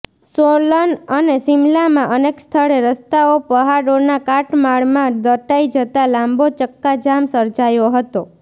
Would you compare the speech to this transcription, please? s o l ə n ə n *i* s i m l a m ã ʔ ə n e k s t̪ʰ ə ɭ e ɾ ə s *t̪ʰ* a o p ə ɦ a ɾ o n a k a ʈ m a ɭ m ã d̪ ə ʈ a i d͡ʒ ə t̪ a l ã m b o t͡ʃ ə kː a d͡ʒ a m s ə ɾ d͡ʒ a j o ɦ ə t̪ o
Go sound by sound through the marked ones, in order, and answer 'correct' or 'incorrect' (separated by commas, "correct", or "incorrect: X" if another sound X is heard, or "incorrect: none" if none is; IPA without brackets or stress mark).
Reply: incorrect: e, incorrect: t̪